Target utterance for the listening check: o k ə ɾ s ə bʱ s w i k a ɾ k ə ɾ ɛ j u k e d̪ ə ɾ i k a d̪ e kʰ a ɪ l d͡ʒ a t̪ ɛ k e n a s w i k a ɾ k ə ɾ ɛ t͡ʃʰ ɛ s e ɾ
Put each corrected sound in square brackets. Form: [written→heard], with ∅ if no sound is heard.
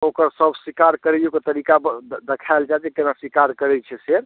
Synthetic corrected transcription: o k ə ɾ s ə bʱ s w i k a ɾ k ə ɾ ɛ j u k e [d̪→t̪] ə ɾ i k a d̪ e kʰ a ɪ l d͡ʒ a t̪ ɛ k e n a s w i k a ɾ k ə ɾ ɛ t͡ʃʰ ɛ s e ɾ